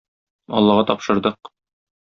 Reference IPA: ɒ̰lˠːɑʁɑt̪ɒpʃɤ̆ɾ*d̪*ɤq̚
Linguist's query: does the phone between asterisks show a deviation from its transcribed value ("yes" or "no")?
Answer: no